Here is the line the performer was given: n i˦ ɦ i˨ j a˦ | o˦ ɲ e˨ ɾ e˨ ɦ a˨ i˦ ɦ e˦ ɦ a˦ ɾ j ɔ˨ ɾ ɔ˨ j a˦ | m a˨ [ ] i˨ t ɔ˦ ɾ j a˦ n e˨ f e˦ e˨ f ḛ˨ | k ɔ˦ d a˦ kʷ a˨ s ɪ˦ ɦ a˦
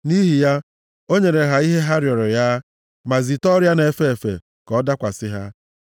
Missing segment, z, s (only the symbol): z